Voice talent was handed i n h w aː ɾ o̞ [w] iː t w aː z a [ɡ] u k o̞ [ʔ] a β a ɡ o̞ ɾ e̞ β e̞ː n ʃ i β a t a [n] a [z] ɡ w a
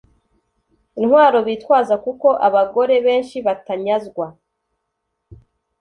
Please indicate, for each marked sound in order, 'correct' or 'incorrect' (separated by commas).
incorrect, incorrect, correct, incorrect, correct